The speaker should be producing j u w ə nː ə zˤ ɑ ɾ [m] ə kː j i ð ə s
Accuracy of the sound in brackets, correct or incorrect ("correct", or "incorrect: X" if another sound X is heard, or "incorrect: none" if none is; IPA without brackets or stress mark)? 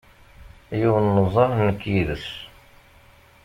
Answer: incorrect: n